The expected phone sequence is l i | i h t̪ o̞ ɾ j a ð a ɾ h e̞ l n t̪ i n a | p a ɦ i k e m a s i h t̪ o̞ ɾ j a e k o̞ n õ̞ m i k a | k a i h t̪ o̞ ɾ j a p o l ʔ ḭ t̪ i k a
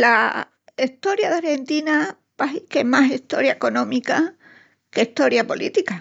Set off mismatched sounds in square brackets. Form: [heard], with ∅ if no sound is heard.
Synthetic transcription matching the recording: l [a] | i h t̪ o̞ ɾ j a ð a ɾ h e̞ [∅] n t̪ i n a | p a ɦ i k e m a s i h t̪ o̞ ɾ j a e k o̞ n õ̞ m i k a | k [e] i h t̪ o̞ ɾ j a p o l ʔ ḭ t̪ i k a